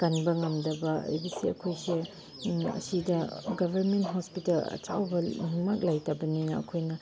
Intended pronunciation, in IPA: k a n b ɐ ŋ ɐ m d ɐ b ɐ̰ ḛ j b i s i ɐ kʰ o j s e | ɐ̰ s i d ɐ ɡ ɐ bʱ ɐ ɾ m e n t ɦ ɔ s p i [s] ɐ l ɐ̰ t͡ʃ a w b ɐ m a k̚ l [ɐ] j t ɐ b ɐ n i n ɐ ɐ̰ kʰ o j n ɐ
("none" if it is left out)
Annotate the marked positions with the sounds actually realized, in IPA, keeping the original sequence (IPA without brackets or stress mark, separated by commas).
t, a